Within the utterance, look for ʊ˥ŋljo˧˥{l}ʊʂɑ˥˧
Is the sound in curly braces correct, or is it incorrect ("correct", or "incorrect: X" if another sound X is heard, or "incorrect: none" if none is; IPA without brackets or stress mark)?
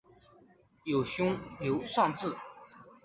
incorrect: none